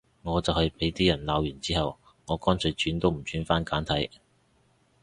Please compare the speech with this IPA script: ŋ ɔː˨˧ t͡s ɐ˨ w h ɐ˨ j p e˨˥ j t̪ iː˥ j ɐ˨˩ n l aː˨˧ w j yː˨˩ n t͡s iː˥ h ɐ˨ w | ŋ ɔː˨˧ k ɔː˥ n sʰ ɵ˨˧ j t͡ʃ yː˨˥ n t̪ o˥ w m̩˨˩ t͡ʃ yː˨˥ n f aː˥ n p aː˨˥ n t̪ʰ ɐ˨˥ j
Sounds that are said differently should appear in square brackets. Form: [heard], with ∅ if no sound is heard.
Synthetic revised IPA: ŋ ɔː˨˧ t͡s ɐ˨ w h ɐ˨ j p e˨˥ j t̪ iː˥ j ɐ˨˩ n l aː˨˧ w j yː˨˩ n t͡s iː˥ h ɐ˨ w | ŋ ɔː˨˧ k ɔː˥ n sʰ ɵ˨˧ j t͡ʃ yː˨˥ n t̪ o˥ w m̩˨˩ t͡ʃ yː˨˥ n f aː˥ n [k] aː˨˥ n t̪ʰ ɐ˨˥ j